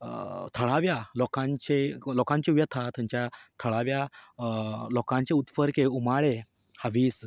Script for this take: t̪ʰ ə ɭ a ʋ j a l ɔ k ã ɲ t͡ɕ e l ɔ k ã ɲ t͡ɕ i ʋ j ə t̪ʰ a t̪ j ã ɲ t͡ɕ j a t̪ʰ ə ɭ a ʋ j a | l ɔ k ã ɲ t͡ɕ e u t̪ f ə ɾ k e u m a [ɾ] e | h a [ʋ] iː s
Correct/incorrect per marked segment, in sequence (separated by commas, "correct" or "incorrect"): incorrect, correct